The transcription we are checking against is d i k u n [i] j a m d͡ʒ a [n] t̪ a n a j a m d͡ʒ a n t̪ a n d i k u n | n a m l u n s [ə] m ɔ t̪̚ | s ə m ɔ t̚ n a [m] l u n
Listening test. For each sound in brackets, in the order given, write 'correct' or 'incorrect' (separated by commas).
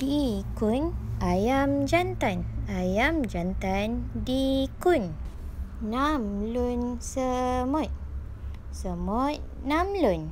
incorrect, correct, correct, correct